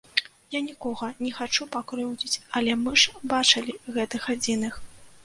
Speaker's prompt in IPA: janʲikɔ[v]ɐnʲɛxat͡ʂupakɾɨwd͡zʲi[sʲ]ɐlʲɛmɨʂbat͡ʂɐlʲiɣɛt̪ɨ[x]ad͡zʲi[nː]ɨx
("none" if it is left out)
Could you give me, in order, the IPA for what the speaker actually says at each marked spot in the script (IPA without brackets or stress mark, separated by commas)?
ɣ, t͡sʲ, x, n